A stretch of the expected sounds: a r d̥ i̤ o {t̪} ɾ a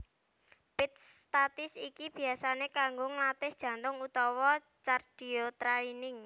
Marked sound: correct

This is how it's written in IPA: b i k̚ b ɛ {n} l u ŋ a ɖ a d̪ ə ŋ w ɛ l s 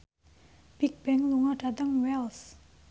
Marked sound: incorrect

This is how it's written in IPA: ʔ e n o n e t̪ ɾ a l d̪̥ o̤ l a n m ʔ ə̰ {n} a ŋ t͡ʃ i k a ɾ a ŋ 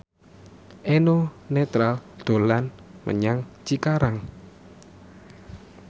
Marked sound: incorrect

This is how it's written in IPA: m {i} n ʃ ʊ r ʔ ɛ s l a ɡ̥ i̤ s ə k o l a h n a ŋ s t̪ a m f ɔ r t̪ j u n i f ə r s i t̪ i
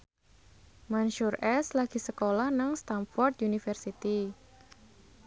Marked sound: incorrect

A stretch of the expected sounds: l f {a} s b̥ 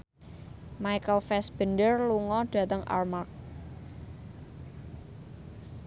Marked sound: incorrect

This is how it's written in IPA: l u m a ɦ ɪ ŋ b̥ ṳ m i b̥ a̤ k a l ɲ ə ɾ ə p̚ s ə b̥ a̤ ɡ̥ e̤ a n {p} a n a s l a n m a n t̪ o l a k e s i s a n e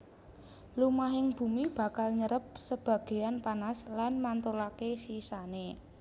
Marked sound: correct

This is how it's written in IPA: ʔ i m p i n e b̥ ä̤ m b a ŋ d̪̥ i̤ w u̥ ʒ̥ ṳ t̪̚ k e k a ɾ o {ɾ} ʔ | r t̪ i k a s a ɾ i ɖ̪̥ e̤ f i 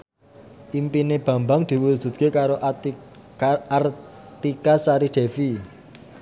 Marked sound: incorrect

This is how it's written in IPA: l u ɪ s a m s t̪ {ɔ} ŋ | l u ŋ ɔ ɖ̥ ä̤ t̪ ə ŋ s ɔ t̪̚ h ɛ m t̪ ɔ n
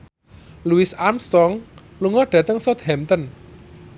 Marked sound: correct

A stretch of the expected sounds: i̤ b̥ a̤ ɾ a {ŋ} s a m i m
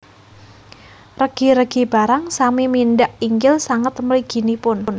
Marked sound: correct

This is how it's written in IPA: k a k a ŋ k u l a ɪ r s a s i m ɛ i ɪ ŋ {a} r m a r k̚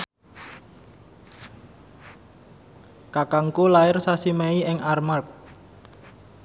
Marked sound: correct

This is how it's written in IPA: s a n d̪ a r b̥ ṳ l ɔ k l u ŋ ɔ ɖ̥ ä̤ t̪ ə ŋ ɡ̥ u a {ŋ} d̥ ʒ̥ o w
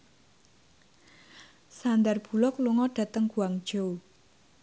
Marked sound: correct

